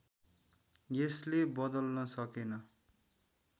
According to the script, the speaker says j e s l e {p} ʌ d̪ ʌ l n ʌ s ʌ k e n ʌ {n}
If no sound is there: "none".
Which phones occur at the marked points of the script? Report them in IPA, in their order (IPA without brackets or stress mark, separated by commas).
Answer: b, none